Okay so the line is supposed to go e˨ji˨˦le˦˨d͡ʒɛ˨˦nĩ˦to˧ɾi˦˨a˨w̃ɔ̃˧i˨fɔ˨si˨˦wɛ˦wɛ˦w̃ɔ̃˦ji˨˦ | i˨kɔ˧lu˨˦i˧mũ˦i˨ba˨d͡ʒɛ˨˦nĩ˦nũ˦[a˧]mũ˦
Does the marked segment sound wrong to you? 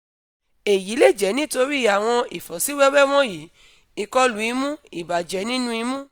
yes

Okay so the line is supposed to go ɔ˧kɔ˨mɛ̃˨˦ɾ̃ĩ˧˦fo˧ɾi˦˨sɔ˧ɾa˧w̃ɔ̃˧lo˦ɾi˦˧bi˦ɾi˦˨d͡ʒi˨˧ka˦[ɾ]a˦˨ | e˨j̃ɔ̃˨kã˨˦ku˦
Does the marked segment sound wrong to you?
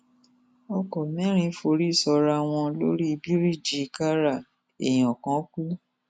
no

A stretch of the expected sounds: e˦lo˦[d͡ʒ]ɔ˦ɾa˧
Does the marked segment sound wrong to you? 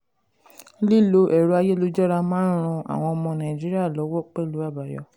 no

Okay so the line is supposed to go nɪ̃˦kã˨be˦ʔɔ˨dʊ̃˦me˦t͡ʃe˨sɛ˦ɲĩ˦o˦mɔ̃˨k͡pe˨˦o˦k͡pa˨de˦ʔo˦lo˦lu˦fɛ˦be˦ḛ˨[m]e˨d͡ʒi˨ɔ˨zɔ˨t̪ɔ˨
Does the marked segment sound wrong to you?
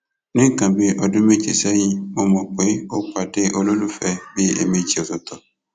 no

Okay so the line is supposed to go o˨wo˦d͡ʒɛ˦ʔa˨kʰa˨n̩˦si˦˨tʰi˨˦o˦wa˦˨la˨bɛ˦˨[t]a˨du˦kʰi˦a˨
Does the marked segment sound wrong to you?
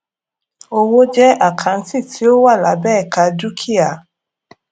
yes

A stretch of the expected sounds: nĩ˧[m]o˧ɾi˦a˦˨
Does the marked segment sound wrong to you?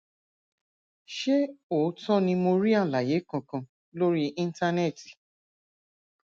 no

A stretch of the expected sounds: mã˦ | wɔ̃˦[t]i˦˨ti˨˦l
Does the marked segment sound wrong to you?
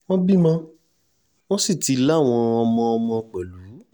yes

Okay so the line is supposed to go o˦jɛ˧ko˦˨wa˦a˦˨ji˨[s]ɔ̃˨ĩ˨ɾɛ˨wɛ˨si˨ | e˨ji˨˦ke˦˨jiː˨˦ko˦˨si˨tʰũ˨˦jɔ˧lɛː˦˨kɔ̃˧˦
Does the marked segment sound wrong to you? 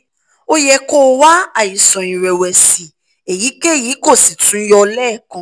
no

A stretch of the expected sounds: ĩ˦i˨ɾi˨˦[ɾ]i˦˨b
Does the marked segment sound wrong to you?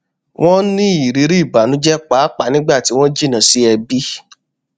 no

